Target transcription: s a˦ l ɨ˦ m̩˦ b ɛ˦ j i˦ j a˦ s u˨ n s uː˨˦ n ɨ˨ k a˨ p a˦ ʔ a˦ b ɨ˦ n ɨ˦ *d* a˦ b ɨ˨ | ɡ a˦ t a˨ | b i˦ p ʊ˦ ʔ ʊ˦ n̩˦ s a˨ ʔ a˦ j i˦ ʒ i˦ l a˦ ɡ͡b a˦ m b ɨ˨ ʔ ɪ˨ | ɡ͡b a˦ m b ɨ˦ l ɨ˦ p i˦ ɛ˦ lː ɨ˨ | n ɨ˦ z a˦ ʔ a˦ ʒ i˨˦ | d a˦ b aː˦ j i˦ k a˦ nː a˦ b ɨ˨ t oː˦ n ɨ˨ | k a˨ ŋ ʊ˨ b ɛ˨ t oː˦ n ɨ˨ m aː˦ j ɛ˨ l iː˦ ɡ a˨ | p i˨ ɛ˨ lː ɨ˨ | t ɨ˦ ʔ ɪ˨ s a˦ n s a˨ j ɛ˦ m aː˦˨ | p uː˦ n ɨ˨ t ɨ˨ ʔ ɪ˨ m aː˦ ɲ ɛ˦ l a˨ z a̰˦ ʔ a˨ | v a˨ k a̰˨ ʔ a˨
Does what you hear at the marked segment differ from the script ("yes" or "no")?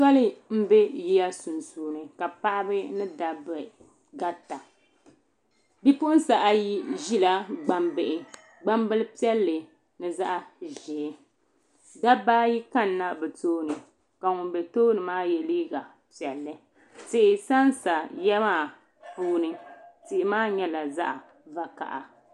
no